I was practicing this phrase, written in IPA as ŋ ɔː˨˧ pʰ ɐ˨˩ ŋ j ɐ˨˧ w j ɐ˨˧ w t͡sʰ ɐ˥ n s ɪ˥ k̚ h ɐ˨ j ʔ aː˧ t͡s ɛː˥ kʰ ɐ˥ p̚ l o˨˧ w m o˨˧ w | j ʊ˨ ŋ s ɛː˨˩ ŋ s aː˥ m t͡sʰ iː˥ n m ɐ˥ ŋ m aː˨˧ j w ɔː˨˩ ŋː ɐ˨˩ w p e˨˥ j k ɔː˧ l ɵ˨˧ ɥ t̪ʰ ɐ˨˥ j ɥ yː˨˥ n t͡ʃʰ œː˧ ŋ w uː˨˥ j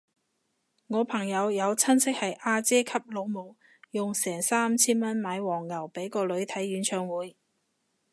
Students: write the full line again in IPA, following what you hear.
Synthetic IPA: ŋ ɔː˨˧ pʰ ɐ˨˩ ŋ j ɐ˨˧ w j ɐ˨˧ w t͡sʰ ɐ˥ n s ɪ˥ k̚ h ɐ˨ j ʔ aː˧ t͡s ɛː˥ kʰ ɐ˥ p̚ l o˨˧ w m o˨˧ w | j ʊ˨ ŋ s ɛː˨˩ ŋ s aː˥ m t͡sʰ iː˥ n m ɐ˥ n m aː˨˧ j w ɔː˨˩ ŋː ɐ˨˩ w p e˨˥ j k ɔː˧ l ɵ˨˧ ɥ t̪ʰ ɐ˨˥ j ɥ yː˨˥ n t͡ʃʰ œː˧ ŋ w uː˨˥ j